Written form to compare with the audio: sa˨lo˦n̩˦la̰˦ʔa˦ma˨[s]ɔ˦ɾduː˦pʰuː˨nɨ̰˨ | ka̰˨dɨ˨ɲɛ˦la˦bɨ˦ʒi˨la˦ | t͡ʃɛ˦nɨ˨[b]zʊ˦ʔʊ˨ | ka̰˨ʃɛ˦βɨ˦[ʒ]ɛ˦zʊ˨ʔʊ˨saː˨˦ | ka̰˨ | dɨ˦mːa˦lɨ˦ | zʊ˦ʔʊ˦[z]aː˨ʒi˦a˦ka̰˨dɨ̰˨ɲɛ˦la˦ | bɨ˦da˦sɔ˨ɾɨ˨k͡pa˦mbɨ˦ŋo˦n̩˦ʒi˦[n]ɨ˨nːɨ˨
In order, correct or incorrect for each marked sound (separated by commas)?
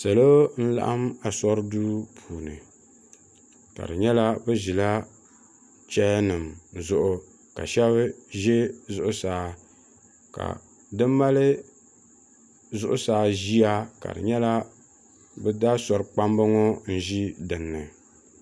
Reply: correct, incorrect, correct, incorrect, incorrect